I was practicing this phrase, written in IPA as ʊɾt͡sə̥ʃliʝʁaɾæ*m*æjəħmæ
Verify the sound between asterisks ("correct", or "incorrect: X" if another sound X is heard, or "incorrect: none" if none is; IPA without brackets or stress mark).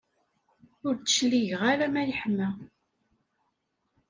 correct